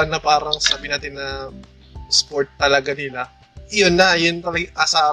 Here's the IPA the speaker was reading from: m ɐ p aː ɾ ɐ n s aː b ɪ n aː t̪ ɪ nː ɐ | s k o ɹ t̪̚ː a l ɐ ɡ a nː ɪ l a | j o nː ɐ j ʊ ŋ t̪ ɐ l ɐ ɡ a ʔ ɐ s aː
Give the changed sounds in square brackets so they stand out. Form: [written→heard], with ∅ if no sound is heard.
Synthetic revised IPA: [m→n] ɐ p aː ɾ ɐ [n→ŋ] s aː b ɪ n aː t̪ ɪ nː ɐ | s [k→p] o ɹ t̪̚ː [a→ɐ] l ɐ ɡ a [nː→n] ɪ l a | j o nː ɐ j ʊ [ŋ→n] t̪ ɐ l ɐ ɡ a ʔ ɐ s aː